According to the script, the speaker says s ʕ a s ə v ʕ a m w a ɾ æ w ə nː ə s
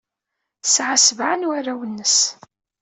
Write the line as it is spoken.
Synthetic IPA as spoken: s ʕ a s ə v ʕ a n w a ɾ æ w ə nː ə s

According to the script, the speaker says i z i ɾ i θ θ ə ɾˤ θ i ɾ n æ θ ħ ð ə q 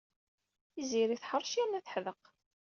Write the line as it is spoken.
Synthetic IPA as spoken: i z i ɾ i θ ħ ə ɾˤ ʃ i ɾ n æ θ ħ ð ə q

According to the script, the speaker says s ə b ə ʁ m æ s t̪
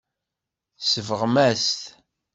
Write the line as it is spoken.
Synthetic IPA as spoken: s ə v ə ʁ m æ s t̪

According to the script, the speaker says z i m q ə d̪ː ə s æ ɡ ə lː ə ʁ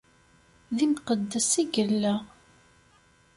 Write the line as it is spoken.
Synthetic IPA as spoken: ð i m q ə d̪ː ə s i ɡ ə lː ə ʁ

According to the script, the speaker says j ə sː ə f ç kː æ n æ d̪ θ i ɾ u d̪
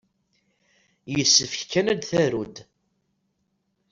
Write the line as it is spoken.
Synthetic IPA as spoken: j ə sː ə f ç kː æ n æ d̪ θ æ ɾ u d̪

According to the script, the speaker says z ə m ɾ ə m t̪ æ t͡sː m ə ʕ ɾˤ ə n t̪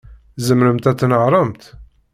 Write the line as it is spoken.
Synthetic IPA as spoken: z ə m ɾ ə m t̪ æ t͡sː n ə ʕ ɾˤ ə m t̪

